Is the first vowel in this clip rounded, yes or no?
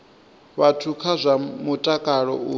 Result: no